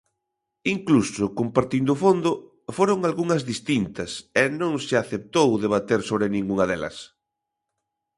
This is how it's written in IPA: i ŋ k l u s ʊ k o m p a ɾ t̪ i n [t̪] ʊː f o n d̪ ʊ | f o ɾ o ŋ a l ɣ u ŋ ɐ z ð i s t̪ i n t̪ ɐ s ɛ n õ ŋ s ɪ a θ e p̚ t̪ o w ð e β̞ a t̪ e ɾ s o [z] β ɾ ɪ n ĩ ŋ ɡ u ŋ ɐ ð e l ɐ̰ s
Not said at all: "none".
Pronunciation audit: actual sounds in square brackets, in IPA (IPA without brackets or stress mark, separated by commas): d̪, none